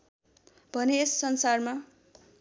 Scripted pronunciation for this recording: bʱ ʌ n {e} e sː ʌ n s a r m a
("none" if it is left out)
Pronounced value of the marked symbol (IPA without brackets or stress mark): e